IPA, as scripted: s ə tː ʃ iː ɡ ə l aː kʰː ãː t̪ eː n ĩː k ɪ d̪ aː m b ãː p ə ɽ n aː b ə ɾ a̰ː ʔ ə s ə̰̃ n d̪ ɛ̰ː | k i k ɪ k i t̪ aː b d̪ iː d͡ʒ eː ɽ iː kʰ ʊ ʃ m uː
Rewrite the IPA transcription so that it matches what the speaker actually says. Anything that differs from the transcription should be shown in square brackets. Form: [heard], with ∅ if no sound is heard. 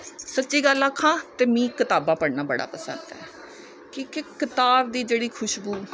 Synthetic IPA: s ə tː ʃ iː ɡ ə l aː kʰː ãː t̪ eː [m] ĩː k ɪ [t̪] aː [∅] b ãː p ə ɽ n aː b ə [ɽ] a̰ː [p] ə s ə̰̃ n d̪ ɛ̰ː | k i k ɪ k [ɪ] t̪ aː b d̪ iː d͡ʒ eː ɽ iː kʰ ʊ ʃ [b] uː